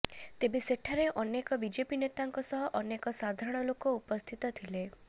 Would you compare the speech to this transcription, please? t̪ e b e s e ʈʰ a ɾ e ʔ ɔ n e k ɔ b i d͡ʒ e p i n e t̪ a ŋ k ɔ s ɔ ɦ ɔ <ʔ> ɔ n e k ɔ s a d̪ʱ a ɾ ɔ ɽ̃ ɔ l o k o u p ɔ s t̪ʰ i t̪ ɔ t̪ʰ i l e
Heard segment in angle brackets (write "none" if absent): ʔ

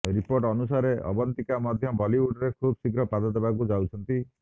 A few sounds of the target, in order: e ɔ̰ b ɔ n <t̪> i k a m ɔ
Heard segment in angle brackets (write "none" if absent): t̪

